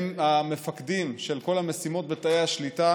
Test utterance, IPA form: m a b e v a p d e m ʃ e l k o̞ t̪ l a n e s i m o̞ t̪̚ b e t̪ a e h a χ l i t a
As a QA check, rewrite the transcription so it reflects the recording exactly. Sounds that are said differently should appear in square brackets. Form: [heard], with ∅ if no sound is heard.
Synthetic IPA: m a [m] e [f] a [k] d [i] m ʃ e l k o̞ [∅] l a [m] e s i m o̞ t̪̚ b e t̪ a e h a [ʃ] l i t a